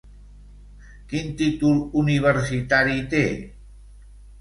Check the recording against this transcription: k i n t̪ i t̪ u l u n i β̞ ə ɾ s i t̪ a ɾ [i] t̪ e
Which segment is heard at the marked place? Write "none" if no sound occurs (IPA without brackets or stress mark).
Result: i